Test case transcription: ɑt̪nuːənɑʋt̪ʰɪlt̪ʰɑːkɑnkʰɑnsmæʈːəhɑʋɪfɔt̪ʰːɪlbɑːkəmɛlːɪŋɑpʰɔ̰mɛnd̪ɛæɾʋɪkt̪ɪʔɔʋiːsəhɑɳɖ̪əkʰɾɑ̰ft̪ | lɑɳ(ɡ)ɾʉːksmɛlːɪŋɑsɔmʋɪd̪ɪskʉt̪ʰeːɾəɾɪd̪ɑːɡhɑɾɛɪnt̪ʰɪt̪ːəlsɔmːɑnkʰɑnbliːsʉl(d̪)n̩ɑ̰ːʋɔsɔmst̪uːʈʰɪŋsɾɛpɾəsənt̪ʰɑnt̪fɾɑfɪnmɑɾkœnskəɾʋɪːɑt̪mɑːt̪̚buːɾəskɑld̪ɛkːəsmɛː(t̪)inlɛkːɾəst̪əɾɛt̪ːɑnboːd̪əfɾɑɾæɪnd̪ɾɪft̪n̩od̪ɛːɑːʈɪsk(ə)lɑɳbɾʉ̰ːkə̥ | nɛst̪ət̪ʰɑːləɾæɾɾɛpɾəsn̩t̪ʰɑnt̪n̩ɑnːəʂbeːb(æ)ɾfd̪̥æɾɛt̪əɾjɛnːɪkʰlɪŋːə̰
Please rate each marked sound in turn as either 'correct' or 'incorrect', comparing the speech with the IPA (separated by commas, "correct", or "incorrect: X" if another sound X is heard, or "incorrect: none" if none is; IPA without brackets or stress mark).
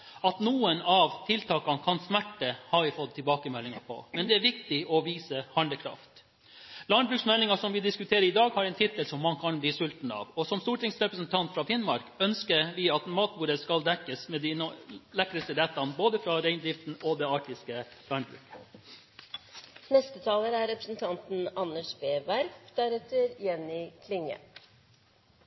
incorrect: b, incorrect: t̪, incorrect: d̪, correct, correct